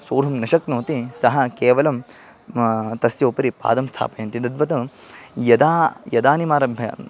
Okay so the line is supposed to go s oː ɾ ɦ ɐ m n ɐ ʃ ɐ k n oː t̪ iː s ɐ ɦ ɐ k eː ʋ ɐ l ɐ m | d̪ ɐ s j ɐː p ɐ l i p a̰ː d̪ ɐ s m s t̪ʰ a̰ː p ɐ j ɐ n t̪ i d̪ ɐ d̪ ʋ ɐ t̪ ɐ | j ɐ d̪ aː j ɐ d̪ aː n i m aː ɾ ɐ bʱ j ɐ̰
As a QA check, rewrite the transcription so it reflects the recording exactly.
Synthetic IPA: s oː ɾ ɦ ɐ m n ɐ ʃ ɐ k n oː t̪ i s ɐ ɦ ɐ k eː ʋ ɐ l ɐ m | t̪ ɐ s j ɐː p ɐ ɾ i p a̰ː d̪ ɐ m s t̪ʰ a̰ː p ɐ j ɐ n t̪ i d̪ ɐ d̪ ʋ ɐ t̪ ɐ | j ɐ d̪ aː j ɐ d̪ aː n i m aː ɾ ɐ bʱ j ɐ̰

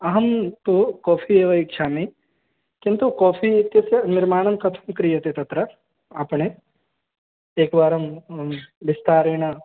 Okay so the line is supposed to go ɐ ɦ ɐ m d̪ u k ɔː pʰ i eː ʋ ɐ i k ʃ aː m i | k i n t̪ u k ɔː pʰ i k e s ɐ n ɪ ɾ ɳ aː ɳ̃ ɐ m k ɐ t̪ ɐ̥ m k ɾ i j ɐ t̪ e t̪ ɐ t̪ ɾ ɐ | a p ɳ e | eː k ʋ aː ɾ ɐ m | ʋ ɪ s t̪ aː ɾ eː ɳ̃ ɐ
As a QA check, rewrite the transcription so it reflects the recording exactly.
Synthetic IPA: ɐ ɦ ɐ m t̪ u k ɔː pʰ i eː ʋ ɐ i k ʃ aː m i | k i n t̪ u k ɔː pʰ i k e s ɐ n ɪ ɾ m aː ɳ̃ ɐ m k ɐ t̪ʰ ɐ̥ m k ɾ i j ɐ t̪ e t̪ ɐ t̪ ɾ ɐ | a p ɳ e | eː k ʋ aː ɾ ɐ m | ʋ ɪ s t̪ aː ɾ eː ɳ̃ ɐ

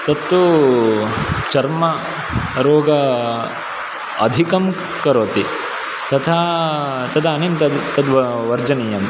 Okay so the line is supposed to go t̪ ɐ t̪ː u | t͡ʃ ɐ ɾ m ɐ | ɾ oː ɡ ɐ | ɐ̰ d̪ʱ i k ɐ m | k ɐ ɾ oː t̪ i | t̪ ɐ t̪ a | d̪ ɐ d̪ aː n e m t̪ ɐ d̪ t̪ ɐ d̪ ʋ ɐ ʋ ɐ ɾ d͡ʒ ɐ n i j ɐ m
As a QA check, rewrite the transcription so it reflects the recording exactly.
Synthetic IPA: t̪ ɐ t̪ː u | t͡ʃ ɐ ɾ m ɐ | ɾ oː ɡ ɐ | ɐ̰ d̪ʱ i k ɐ m | k ɐ ɾ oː t̪ i | t̪ ɐ t̪ʰ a | t̪ ɐ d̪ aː n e m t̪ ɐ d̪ t̪ ɐ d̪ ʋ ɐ ʋ ɐ ɾ d͡ʒ ɐ n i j ɐ m

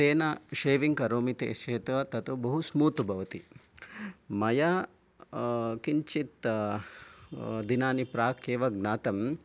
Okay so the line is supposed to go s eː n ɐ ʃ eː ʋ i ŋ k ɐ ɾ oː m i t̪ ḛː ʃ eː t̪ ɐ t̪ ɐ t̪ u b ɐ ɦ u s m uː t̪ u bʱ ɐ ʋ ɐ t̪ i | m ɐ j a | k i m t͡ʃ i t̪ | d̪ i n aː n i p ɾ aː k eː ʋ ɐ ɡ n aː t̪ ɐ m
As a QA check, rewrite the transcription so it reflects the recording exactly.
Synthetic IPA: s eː n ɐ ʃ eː ʋ i ŋ k ɐ ɾ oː m i t̪ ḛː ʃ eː t̪ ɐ t̪ ɐ t̪ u b ɐ ɦ u s m uː t̪ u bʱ ɐ ʋ ɐ t̪ i | m ɐ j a | k i ɲ t͡ʃ i t̪ | d̪ i n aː n i p ɾ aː k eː ʋ ɐ ɡ n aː t̪ ɐ m

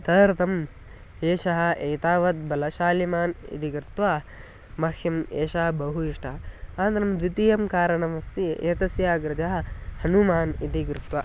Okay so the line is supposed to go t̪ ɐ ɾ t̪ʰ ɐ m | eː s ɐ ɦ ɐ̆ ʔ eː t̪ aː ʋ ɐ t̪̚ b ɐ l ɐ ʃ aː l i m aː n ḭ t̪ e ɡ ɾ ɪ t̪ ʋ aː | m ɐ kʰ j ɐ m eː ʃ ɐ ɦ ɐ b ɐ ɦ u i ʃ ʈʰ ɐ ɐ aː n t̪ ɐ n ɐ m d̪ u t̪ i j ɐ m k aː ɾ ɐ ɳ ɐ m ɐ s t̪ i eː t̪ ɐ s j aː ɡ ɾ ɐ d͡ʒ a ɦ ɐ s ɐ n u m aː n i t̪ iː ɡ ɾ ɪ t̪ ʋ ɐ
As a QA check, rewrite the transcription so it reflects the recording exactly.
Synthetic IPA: t̪ ɐ ɾ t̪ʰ ɐ m | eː ʃ ɐ ɦ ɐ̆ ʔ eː t̪ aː ʋ ɐ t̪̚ b ɐ l ɐ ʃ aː l i m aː n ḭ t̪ i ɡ ɾ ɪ t̪ ʋ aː | m ɐ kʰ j ɐ m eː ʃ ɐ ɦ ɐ b ɐ ɦ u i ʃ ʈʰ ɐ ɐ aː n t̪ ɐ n ɐ m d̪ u t̪ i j ɐ m k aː ɾ ɐ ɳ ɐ m ɐ s t̪ i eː t̪ ɐ s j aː ɡ ɾ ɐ d͡ʒ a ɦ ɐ h ɐ n u m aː n i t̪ i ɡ ɾ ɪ t̪ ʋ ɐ

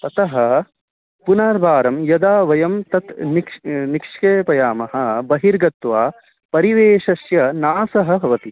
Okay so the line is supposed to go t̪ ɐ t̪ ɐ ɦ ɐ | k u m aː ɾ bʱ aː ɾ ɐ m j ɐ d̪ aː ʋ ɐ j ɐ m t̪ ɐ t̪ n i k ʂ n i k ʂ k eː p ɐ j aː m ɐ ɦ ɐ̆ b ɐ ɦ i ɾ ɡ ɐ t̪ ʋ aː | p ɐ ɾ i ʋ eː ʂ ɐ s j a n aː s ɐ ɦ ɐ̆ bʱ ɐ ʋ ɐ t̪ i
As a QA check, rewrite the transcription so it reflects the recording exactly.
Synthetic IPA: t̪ ɐ t̪ ɐ ɦ ɐ | p u n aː ɾ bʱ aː ɾ ɐ m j ɐ d̪ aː ʋ ɐ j ɐ m t̪ ɐ t̪ n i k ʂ n i k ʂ k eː p ɐ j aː m ɐ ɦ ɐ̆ b ɐ ɦ i ɾ ɡ ɐ t̪ ʋ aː | p ɐ ɾ i ʋ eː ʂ ɐ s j ɐ n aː s ɐ ɦ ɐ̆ bʱ ɐ ʋ ɐ t̪ i

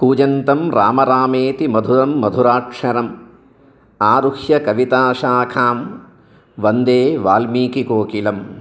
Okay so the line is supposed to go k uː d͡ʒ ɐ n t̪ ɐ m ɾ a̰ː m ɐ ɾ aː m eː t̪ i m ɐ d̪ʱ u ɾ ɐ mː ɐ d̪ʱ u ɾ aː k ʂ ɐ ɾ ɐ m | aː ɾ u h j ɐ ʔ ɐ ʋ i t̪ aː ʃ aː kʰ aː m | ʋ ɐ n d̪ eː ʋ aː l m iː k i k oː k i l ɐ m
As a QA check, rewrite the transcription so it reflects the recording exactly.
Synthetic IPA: k uː d͡ʒ ɐ n t̪ ɐ m ɾ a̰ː m ɐ ɾ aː m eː t̪ i m ɐ d̪ʱ u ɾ ɐ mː ɐ d̪ʱ u ɾ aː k ʂ ɐ ɾ ɐ m | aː ɾ u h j ɐ k ɐ ʋ i t̪ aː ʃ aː kʰ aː m | ʋ ɐ n d̪ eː ʋ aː l m iː k i k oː k i l ɐ m

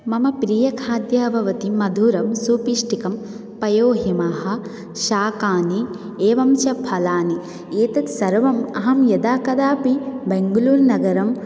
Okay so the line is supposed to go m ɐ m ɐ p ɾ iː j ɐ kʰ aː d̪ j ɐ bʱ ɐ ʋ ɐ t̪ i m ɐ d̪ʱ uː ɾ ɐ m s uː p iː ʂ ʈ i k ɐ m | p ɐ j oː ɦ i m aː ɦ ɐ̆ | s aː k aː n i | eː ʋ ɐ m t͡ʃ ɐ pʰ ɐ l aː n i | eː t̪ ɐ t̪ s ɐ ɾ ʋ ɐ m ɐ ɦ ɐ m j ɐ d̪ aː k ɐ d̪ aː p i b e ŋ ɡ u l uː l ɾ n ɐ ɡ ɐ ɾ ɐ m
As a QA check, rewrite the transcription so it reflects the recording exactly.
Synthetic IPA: m ɐ m ɐ p ɾ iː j ɐ kʰ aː d̪ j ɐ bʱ ɐ ʋ ɐ t̪ i m ɐ d̪ʱ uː ɾ ɐ m s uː p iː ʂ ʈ i k ɐ m | p ɐ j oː ɦ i m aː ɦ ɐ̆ | ʃ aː k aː n i | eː ʋ ɐ m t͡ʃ ɐ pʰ ɐ l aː n i | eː t̪ ɐ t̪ s ɐ ɾ ʋ ɐ m ɐ ɦ ɐ m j ɐ d̪ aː k ɐ d̪ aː p i b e ŋ ɡ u l uː ɾ n ɐ ɡ ɐ ɾ ɐ m

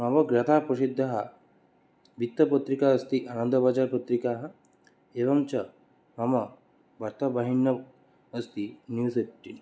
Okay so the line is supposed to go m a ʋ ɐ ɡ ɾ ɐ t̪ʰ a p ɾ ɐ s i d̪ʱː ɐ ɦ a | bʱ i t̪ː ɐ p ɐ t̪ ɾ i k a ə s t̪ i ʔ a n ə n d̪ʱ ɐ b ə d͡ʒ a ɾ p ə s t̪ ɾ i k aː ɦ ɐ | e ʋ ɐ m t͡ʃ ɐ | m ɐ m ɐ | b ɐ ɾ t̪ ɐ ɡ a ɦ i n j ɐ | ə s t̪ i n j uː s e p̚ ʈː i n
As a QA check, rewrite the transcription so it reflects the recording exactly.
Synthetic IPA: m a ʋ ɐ ɡ ɾ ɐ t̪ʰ a p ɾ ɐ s i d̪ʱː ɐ ɦ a | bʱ i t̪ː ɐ p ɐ t̪ ɾ i k a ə s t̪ i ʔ a n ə n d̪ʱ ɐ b a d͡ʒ a ɾ p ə t̪ ɾ i k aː ɦ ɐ | e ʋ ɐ m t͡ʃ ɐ | m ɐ m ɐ | b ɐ ɾ t̪ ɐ b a ɦ i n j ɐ | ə s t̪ i n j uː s e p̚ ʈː i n

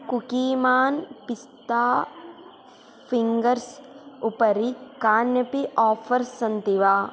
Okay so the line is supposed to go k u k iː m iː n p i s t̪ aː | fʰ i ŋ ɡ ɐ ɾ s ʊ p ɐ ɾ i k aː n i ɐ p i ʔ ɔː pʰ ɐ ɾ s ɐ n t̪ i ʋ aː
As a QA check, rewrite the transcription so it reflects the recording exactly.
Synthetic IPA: k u k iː m aː n p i s t̪ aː | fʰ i ŋ ɡ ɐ ɾ s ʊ p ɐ ɾ i k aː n j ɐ p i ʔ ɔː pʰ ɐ ɾ s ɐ n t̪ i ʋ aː

